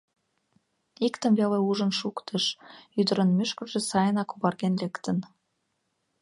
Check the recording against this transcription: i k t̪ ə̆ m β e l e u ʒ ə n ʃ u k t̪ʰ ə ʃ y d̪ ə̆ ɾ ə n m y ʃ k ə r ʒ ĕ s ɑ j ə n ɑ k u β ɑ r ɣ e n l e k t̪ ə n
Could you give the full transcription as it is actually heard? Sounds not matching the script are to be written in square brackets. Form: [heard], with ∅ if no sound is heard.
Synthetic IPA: i k t̪ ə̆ m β e l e u ʒ ə n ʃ u k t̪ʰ ə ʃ y d̪ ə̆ ɾ ə n m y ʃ k ə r ʒ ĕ s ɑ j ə n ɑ k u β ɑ r ɣ e n l e k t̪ ə n